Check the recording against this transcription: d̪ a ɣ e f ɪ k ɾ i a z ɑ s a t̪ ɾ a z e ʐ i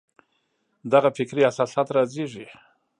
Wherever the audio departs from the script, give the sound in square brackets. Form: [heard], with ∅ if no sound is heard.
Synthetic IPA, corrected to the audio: d̪ a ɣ [a] f ɪ k ɾ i a [s] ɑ s a t̪ ɾ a z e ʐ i